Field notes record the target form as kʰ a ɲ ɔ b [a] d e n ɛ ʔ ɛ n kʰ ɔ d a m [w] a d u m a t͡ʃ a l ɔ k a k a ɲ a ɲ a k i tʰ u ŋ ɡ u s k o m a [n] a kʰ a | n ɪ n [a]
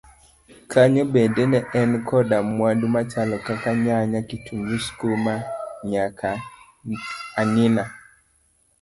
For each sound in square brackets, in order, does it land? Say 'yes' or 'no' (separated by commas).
no, yes, no, yes